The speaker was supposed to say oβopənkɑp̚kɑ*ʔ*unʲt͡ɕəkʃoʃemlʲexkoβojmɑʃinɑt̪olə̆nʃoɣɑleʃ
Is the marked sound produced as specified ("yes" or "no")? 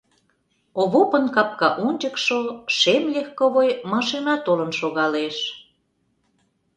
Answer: yes